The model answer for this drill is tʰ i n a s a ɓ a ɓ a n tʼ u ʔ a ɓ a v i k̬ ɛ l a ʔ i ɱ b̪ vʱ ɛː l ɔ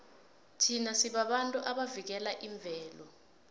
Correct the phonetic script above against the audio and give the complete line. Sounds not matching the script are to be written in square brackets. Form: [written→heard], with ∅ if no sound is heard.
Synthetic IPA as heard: tʰ i n a s [a→i] ɓ a ɓ a n tʼ u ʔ a ɓ a v i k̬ ɛ l a ʔ i ɱ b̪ vʱ ɛː l ɔ